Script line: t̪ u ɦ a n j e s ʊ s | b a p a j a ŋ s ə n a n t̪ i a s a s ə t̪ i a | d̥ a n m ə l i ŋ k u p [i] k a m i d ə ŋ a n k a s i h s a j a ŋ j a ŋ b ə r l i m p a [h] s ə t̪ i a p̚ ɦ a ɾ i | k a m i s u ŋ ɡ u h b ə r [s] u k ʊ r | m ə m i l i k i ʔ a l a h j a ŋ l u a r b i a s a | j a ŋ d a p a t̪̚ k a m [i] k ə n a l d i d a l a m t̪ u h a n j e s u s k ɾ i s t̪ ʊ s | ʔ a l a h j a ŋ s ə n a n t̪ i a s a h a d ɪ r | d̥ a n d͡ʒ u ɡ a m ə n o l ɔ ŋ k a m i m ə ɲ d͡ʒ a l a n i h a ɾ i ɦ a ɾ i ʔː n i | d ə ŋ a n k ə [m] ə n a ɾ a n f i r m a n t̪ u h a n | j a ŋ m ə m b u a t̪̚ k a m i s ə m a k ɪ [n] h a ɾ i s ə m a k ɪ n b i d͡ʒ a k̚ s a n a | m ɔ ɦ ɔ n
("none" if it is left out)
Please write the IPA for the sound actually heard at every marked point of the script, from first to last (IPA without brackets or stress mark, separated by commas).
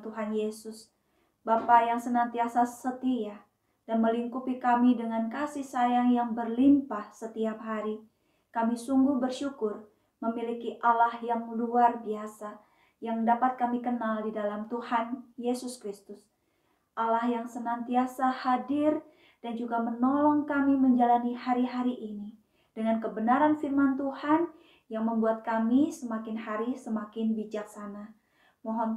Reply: i, h, ʃ, i, b, n